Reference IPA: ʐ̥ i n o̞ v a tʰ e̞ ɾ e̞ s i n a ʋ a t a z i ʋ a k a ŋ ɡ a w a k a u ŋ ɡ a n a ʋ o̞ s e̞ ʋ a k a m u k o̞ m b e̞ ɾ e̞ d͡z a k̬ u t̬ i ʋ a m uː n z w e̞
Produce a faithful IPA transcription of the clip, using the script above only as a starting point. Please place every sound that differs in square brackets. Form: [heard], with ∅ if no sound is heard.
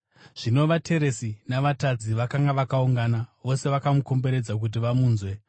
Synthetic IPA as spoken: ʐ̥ i n o̞ [ʋ] a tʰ e̞ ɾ e̞ s i n a ʋ a t a [d͡z] i ʋ a k a ŋ ɡ a [ʋ] a k a u ŋ ɡ a n a ʋ o̞ s e̞ ʋ a k a m u k o̞ m b e̞ ɾ e̞ d͡z a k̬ u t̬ i ʋ a m uː n z w e̞

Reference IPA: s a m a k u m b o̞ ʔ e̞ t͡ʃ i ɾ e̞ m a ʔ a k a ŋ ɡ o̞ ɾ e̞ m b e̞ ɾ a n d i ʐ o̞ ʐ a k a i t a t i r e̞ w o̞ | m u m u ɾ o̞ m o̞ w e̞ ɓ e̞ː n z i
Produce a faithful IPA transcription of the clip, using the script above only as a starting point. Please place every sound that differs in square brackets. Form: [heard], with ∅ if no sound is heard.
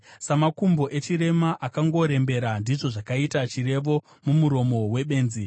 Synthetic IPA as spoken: s a m a k u m b o̞ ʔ e̞ t͡ʃ i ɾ e̞ m a ʔ a k a ŋ ɡ o̞ ɾ e̞ m b e̞ ɾ a n d i ʐ o̞ ʐ a k a i t a [t͡ʃ] i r e̞ [ʋ] o̞ | m u m u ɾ o̞ m o̞ w e̞ ɓ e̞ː n z i

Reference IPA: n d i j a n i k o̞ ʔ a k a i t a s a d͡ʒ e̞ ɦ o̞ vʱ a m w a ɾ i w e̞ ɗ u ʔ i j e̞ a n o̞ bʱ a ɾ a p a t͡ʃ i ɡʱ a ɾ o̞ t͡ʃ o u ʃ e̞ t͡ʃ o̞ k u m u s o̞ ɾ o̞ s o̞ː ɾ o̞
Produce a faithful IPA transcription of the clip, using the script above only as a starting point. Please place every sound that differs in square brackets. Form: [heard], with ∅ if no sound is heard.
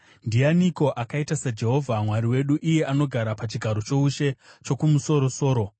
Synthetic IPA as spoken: n d i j a n i k o̞ ʔ a k a i t a s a d͡ʒ e̞ ɦ o̞ vʱ a m w a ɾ i w e̞ ɗ u ʔ i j e̞ a n o̞ [ɡʱ] a ɾ a p a t͡ʃ i ɡʱ a ɾ o̞ t͡ʃ o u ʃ e̞ t͡ʃ o̞ k u m u s o̞ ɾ o̞ s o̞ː ɾ o̞

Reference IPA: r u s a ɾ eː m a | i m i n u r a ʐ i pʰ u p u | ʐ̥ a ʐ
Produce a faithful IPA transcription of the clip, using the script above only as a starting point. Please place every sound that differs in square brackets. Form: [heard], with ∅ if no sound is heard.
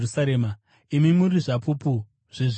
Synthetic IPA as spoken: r u s a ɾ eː m a | i m i [m] u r [i] ʐ [a] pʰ u p u | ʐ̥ [i] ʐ

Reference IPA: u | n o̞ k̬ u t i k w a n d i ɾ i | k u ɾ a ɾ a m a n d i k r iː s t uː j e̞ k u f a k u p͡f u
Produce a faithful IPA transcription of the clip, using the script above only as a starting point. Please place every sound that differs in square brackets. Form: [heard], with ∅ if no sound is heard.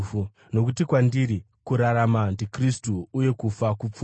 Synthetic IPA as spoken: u | n o̞ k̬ u t i k w a n d i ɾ i | k u ɾ a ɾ a m a n d i k r [i] s t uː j e̞ k u f a k u p͡f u

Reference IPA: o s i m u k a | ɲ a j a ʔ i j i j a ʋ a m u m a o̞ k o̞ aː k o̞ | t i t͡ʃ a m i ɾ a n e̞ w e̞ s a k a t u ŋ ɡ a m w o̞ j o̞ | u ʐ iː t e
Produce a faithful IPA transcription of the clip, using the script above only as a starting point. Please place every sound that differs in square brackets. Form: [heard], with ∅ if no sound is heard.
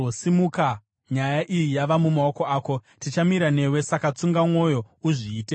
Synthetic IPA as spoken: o s i m u k a | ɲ a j a ʔ i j i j a ʋ a m u m a o̞ k o̞ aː k o̞ | t i t͡ʃ a m i ɾ a n e̞ w e̞ s a k a [t͡s] u ŋ ɡ a m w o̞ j o̞ | u ʐ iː t e

